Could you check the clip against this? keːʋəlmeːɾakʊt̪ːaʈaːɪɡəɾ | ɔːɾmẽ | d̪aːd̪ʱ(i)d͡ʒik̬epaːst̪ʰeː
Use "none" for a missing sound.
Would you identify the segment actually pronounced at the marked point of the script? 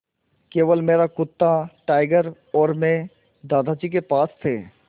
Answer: a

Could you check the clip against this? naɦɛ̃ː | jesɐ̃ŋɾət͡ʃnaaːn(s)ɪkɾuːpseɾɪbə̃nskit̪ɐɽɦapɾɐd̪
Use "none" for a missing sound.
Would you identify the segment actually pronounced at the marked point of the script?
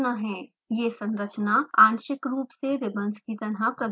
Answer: ʃ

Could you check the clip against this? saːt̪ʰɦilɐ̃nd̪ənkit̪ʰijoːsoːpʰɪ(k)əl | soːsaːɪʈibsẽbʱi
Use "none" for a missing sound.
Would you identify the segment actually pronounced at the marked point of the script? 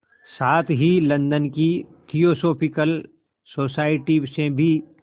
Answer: k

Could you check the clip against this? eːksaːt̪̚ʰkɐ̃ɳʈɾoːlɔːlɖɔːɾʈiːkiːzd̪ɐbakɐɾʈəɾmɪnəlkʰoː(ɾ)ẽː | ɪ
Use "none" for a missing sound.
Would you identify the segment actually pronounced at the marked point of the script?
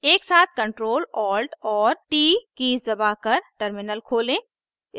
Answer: l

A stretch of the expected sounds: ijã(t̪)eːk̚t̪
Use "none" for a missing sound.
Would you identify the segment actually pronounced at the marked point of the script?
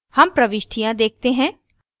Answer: d̪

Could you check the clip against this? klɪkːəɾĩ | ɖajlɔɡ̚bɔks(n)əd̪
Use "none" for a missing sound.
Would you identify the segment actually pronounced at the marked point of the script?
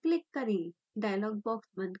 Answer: m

